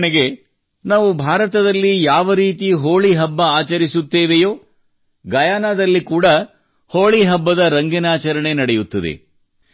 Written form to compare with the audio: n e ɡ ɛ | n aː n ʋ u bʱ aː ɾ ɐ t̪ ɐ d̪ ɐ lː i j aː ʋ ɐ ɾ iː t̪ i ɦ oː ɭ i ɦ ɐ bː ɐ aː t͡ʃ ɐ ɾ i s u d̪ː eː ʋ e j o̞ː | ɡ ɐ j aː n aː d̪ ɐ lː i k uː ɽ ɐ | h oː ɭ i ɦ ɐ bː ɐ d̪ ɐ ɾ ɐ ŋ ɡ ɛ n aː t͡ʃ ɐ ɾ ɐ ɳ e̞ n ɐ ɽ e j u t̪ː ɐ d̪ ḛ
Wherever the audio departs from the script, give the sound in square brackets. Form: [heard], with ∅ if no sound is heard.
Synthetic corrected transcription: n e ɡ [e] | n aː [∅] ʋ u bʱ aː ɾ ɐ t̪ ɐ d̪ ɐ lː i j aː ʋ ɐ ɾ iː t̪ i ɦ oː ɭ i ɦ ɐ bː ɐ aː t͡ʃ ɐ ɾ i s u [t̪ː] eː ʋ e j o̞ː | ɡ ɐ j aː n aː d̪ ɐ lː i k uː ɽ ɐ | h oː ɭ i ɦ ɐ bː ɐ d̪ ɐ ɾ ɐ ŋ ɡ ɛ n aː t͡ʃ ɐ ɾ ɐ ɳ e̞ n ɐ ɽ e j u t̪ː ɐ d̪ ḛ

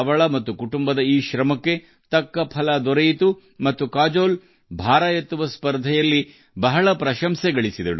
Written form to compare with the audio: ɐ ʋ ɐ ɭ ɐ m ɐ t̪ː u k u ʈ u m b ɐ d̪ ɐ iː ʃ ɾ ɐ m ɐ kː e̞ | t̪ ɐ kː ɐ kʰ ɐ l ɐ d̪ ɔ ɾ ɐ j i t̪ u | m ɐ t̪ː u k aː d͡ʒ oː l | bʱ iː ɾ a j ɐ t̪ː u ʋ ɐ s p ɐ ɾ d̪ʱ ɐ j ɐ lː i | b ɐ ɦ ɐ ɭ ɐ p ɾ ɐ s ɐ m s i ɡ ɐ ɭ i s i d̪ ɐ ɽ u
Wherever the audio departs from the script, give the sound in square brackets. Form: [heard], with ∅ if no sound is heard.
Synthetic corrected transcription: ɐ ʋ ɐ ɭ ɐ m ɐ t̪ː u k u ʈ u m b ɐ d̪ ɐ iː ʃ ɾ ɐ m ɐ kː e̞ | t̪ ɐ kː ɐ [pʰ] ɐ l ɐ d̪ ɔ ɾ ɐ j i t̪ u | m ɐ t̪ː u k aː d͡ʒ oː l | bʱ [aː] ɾ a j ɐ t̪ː u ʋ ɐ s p ɐ ɾ d̪ʱ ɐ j ɐ lː i | b ɐ ɦ ɐ ɭ ɐ p ɾ ɐ [ʃ] ɐ m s [ɛ] ɡ ɐ ɭ i s i d̪ ɐ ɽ u

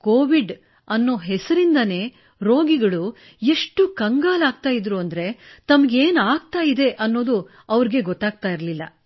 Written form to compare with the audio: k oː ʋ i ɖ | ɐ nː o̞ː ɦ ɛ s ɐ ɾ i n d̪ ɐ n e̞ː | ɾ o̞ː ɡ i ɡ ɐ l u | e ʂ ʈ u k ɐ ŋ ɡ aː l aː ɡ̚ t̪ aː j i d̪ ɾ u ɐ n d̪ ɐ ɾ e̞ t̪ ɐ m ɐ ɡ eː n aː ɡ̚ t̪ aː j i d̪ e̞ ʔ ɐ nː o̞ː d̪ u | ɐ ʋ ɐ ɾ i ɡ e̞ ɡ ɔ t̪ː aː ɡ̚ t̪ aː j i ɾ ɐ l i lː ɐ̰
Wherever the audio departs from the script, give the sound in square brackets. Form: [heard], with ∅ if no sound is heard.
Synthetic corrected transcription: k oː ʋ i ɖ | ɐ nː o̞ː ɦ ɛ s ɐ ɾ i n d̪ ɐ n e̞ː | ɾ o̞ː ɡ i ɡ ɐ [ɭ] u | e ʂ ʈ u k ɐ ŋ ɡ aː l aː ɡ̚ t̪ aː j i d̪ ɾ u ɐ n d̪ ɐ ɾ e̞ t̪ ɐ m ɐ ɡ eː n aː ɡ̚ t̪ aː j i d̪ e̞ ʔ ɐ nː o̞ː d̪ u | ɐ ʋ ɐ ɾ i ɡ e̞ ɡ ɔ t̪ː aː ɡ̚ t̪ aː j i ɾ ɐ l i lː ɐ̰

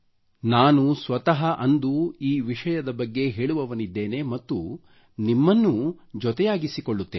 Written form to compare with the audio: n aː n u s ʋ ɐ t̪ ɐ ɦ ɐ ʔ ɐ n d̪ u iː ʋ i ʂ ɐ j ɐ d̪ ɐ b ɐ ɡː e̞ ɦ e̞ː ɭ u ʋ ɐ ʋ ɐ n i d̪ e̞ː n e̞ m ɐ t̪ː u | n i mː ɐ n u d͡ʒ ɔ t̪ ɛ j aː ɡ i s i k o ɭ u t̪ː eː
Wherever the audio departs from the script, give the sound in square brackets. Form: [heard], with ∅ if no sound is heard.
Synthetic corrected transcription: n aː n u s ʋ ɐ t̪ ɐ ɦ ɐ ʔ ɐ n d̪ u iː ʋ i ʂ ɐ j ɐ d̪ ɐ b ɐ ɡː e̞ ɦ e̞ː ɭ u ʋ ɐ ʋ ɐ n i [d̪ː] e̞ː n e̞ m ɐ t̪ː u | n i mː ɐ [nː] u d͡ʒ ɔ t̪ ɛ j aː ɡ i s i k o [ɭː] u t̪ː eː

